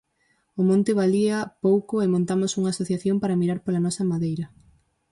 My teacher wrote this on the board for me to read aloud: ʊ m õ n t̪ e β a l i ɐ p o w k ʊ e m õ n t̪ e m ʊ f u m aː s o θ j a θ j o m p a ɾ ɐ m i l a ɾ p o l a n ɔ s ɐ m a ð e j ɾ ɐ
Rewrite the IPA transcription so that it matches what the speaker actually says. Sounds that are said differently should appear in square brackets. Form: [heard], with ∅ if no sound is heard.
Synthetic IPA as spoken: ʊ m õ n t̪ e β a l i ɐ p o w k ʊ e m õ n t̪ [a] m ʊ [s] u [ŋ] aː s o θ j a θ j o m p a ɾ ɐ m i [ɾ] a ɾ p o l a n ɔ s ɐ m a ð e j ɾ ɐ